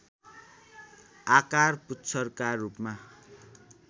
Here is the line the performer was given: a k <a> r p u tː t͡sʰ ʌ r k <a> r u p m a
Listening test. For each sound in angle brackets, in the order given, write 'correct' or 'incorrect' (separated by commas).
correct, correct